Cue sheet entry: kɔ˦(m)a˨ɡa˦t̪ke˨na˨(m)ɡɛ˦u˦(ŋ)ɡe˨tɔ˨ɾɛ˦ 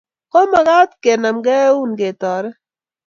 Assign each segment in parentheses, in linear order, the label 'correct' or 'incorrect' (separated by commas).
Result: correct, correct, incorrect